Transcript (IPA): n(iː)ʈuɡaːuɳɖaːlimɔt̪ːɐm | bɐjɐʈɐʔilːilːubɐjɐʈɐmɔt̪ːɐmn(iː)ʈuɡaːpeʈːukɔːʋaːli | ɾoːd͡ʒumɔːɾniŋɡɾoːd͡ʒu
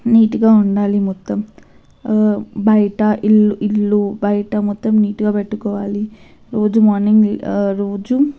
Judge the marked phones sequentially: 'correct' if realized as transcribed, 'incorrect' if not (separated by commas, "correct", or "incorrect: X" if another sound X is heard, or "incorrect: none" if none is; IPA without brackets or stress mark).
correct, correct